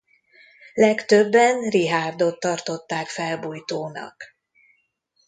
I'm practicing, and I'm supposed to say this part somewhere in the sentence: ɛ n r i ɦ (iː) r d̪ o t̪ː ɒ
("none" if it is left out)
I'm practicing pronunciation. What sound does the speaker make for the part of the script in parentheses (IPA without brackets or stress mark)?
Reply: aː